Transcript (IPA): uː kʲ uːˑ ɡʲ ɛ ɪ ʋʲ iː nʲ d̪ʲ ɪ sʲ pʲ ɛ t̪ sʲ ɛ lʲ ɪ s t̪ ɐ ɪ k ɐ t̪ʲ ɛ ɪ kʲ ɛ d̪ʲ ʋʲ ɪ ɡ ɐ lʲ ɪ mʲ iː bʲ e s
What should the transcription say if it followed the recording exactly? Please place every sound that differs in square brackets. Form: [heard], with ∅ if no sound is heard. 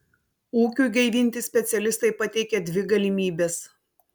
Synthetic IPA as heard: uː kʲ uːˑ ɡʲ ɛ ɪ ʋʲ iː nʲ [t̪ʲ] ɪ sʲ pʲ ɛ t̪ sʲ ɛ lʲ ɪ s t̪ ɐ ɪ [p] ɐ t̪ʲ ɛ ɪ kʲ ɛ d̪ʲ ʋʲ ɪ ɡ ɐ lʲ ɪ mʲ iː bʲ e s